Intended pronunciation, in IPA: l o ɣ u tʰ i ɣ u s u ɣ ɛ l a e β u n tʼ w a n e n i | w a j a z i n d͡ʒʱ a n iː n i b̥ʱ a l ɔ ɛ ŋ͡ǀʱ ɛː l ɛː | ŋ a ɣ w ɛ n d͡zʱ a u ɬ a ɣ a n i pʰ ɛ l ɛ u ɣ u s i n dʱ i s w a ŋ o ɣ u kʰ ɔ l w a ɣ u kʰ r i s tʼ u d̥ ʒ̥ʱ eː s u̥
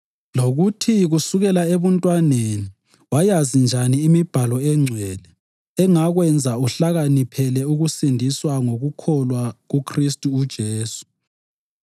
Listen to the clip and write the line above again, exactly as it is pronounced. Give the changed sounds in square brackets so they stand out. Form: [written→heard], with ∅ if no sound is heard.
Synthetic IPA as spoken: l o ɣ u tʰ i ɣ u s u ɣ ɛ l a e β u n tʼ w a n e n i | w a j a z i n d͡ʒʱ a n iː [n→m] i b̥ʱ a l ɔ ɛ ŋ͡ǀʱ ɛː l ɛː | ŋ a ɣ w ɛ n d͡zʱ a u ɬ a ɣ a n i pʰ ɛ l ɛ u ɣ u s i n dʱ i s w a ŋ o ɣ u kʰ ɔ l w a ɣ u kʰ r i s tʼ [u→uː] d̥ ʒ̥ʱ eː s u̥